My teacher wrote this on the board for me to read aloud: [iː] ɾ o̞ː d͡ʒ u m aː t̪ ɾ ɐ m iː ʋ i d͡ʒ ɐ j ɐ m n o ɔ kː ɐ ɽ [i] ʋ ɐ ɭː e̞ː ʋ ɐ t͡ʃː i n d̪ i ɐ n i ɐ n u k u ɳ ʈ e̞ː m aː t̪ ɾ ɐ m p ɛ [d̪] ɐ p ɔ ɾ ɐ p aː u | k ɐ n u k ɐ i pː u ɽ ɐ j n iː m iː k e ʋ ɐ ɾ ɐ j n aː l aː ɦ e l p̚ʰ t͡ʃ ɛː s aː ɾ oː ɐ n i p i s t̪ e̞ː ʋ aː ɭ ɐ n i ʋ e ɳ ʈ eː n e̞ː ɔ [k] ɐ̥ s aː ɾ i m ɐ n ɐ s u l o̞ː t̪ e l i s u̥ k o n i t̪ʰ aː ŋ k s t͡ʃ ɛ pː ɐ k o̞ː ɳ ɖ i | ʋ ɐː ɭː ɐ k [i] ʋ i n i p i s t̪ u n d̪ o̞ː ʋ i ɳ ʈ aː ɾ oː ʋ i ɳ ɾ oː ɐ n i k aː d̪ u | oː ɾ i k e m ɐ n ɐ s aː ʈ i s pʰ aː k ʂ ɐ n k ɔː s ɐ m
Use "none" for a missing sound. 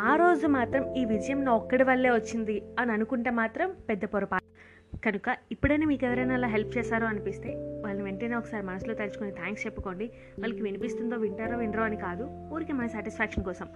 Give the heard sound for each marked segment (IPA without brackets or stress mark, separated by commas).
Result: aː, i, d̪ː, k, i